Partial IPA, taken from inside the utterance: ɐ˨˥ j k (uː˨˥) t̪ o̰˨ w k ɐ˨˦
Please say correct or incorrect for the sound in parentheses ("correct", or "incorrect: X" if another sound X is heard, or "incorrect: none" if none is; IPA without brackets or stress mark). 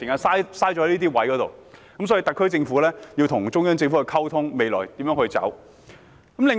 incorrect: ɔː˨˥